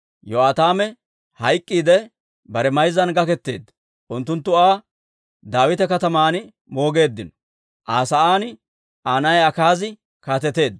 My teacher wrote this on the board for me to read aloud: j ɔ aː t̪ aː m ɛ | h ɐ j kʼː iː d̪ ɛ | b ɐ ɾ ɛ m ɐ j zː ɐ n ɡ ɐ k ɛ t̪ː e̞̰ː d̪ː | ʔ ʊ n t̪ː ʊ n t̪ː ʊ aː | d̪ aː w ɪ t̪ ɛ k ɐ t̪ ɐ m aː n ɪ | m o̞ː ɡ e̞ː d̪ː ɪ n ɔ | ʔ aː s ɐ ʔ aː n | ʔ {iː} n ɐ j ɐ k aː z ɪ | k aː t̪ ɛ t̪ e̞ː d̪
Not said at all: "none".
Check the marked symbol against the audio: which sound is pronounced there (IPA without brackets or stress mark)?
aː